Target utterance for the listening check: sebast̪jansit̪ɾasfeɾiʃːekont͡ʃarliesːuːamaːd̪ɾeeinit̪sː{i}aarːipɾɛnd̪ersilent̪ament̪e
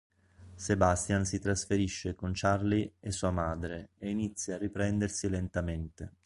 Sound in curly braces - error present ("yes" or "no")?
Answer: yes